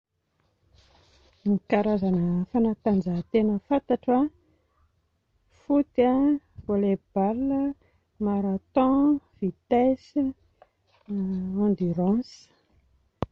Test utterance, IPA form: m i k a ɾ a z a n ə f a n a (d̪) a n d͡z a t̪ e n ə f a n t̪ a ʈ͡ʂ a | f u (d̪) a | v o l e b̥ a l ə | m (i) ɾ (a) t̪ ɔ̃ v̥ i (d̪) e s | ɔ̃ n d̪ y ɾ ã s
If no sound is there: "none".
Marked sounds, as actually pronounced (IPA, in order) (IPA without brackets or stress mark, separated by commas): t̪, t̪, a, a, t̪